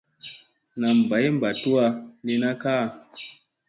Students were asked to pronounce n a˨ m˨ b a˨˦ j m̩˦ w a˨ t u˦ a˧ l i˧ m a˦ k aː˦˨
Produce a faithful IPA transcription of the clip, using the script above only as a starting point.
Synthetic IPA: n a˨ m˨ b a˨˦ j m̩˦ b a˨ t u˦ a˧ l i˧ n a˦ k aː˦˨